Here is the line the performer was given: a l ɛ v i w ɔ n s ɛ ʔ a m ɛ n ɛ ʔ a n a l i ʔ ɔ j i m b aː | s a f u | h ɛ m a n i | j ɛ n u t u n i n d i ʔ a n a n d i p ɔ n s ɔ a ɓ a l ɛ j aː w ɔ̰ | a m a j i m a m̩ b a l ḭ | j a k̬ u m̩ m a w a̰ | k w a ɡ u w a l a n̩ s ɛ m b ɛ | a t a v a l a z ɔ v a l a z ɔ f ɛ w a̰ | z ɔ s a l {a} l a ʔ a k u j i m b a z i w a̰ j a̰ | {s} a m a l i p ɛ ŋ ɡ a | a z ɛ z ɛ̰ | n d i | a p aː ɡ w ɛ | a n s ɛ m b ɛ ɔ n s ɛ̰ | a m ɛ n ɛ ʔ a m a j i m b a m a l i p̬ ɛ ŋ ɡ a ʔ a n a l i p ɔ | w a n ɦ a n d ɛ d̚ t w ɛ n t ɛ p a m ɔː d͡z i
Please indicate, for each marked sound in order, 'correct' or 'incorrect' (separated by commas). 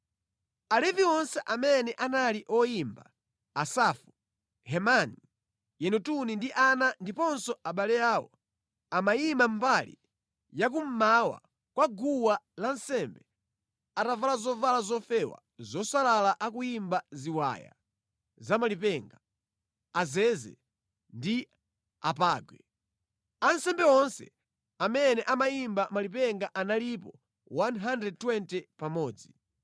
correct, incorrect